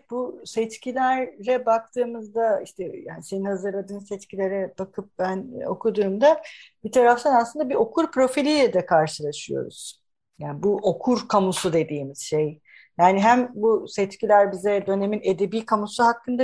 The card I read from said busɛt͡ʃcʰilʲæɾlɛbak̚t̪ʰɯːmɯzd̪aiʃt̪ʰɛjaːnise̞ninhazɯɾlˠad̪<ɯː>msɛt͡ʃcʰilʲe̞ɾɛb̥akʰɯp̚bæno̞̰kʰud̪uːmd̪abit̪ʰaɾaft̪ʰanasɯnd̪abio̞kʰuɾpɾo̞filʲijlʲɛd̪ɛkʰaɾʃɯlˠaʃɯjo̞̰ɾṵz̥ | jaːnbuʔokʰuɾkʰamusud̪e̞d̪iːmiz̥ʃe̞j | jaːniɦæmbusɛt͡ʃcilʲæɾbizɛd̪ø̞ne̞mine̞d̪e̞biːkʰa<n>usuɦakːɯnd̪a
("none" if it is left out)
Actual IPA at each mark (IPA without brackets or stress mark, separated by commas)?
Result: ɯː, m